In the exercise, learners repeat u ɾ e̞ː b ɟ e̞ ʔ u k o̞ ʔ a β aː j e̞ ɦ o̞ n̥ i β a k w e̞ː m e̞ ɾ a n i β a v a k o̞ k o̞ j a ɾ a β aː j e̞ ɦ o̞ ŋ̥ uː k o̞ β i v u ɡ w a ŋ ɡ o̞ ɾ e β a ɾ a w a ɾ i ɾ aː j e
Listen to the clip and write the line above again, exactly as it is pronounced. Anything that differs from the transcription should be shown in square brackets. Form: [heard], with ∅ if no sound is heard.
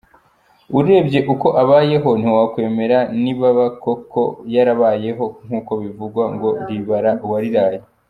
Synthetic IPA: u ɾ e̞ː b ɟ e̞ ʔ u k o̞ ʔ a β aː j e̞ ɦ o̞ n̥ i [w] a k w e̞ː m e̞ ɾ a n i β a [β] a k o̞ k o̞ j a ɾ a β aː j e̞ ɦ o̞ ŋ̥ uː k o̞ β i v u ɡ w a ŋ ɡ o̞ ɾ [i] β a ɾ a w a ɾ i ɾ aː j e